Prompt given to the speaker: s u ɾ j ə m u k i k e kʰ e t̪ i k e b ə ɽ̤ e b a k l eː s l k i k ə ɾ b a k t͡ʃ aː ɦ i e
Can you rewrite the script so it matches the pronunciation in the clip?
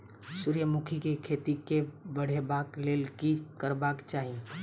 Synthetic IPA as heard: s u ɾ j ə m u kʰ i k e kʰ e t̪ i k e b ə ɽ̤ e b a k l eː l k i k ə ɾ b a k t͡ʃ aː ɦ i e